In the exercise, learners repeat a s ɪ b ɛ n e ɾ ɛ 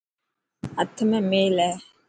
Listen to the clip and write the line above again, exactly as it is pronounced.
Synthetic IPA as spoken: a t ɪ m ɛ m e l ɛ